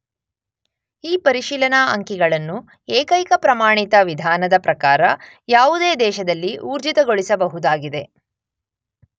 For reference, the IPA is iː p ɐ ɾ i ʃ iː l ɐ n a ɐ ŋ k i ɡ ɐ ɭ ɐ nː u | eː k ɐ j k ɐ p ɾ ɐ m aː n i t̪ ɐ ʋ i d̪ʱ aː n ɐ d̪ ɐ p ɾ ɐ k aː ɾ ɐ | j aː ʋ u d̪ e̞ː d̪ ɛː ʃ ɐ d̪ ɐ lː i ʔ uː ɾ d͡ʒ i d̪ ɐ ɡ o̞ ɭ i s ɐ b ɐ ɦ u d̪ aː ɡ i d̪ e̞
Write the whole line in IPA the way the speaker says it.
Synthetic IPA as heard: iː p ɐ ɾ i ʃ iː l ɐ n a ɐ ŋ k i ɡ ɐ ɭ ɐ nː u | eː k ɐ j k ɐ p ɾ ɐ m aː ɳ i t̪ ɐ ʋ i d̪ʱ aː n ɐ d̪ ɐ p ɾ ɐ k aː ɾ ɐ | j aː ʋ u d̪ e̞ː d̪ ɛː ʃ ɐ d̪ ɐ lː i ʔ uː ɾ d͡ʒ i t̪ ɐ ɡ o̞ ɭ i s ɐ b ɐ ɦ u d̪ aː ɡ i d̪ e̞